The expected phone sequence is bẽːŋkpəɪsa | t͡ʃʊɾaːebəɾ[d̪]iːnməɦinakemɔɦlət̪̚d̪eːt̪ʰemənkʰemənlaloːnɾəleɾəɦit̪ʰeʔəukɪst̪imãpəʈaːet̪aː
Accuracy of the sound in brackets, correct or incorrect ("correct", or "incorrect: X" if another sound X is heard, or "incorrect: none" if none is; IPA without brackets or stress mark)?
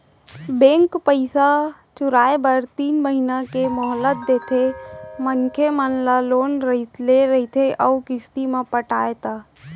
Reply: incorrect: t̪